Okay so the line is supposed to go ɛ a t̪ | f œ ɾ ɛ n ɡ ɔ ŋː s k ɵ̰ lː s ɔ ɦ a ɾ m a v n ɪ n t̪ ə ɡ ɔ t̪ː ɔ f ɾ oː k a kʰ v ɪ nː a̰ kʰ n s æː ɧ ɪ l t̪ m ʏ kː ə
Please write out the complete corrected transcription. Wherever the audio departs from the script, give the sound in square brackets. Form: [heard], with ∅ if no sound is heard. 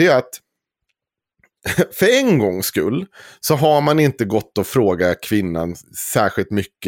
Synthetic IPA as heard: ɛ a t̪ | f œ ɾ ɛ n ɡ ɔ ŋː s k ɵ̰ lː s ɔ ɦ a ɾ m a [∅] n ɪ n t̪ ə ɡ ɔ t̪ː ɔ f ɾ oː [ɡ] a kʰ v ɪ nː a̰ [∅] n s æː ɧ ɪ l t̪ m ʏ kː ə